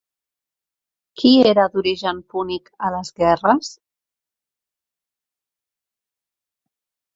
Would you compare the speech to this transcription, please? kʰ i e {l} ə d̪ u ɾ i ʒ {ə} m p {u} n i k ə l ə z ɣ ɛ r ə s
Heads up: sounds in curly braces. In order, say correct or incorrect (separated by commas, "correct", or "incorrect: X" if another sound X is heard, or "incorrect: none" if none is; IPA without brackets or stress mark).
incorrect: ɾ, correct, correct